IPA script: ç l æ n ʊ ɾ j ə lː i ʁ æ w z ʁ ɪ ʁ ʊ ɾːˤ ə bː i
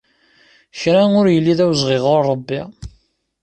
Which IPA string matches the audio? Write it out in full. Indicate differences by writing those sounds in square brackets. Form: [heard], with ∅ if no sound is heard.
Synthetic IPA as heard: ç [ɾ] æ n ʊ ɾ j ə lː i [ð] æ w z ʁ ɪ ʁ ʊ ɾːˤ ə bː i